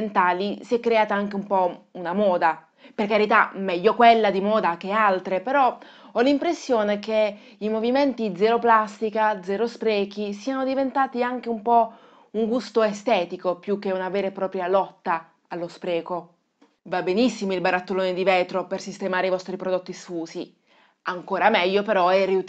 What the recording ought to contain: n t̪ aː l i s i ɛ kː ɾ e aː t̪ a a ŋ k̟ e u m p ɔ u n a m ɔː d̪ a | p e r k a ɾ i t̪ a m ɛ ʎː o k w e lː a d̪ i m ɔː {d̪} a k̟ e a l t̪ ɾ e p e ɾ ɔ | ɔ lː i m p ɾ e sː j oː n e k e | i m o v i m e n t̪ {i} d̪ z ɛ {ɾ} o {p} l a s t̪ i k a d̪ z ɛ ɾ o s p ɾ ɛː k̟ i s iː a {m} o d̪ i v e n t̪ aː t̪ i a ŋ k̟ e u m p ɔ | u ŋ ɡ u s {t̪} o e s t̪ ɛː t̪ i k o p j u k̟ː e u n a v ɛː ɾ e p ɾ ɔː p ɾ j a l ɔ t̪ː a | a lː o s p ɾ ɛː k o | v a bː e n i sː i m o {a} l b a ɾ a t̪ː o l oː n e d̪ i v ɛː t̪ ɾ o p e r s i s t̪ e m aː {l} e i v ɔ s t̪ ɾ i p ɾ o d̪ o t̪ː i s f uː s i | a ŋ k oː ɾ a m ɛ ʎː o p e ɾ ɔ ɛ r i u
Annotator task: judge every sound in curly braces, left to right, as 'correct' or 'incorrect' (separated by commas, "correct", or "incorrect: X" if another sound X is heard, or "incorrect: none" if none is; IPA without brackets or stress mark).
correct, correct, correct, correct, incorrect: n, correct, incorrect: i, incorrect: ɾ